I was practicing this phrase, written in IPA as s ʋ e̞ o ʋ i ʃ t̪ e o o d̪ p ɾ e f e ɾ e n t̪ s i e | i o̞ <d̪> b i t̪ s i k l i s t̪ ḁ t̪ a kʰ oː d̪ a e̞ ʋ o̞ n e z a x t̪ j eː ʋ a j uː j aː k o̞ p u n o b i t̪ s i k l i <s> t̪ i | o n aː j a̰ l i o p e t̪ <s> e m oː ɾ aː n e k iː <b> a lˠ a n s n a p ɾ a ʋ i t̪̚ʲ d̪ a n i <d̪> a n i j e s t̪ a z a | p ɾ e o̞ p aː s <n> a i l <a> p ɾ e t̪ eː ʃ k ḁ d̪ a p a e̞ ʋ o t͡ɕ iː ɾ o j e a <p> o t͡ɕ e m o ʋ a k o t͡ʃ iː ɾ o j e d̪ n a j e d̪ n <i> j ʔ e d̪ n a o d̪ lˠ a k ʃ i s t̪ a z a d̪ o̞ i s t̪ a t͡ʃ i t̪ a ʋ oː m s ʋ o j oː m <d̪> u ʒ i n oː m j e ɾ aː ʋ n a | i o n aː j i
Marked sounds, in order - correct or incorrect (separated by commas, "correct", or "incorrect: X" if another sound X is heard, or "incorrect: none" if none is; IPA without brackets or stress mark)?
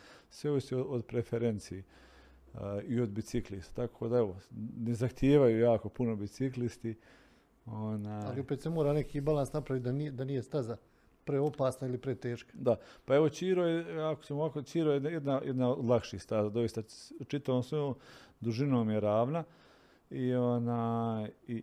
correct, correct, correct, correct, correct, correct, incorrect: i, incorrect: k, incorrect: a, correct